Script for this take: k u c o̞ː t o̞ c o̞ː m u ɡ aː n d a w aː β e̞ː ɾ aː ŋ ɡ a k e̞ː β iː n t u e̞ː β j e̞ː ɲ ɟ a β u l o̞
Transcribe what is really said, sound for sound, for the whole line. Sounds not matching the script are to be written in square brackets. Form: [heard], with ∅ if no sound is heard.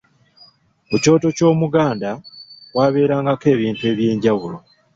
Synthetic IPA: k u c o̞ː t o̞ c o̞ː m u ɡ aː n d a w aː β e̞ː ɾ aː ŋ ɡ a k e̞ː β iː n t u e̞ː β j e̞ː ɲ ɟ a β u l o̞